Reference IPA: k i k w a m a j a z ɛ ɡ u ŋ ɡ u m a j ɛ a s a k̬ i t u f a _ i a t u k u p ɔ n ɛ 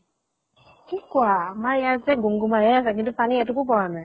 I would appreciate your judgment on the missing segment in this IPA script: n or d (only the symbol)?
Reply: n